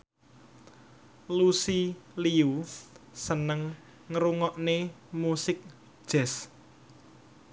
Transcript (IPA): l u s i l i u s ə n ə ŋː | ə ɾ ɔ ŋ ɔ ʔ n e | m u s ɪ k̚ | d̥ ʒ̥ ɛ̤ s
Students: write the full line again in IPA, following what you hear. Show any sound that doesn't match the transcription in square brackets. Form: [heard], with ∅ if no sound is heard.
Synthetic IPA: l u s i l i u s ə n ə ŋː | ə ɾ [u] ŋ ɔ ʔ n e | m u s ɪ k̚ | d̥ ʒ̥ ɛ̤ s